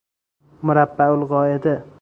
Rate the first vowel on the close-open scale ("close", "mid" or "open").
close